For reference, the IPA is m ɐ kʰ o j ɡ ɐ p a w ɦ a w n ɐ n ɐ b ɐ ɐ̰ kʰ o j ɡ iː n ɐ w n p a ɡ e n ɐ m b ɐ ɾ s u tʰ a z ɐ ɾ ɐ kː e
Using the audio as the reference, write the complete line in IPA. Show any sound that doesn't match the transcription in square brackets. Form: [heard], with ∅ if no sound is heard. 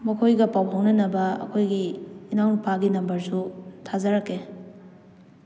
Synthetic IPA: m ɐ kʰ o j ɡ ɐ p a w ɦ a w n ɐ n ɐ b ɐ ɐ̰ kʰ o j ɡ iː n [a] w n p a ɡ [i] n ɐ m b ɐ ɾ s u tʰ a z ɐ ɾ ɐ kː e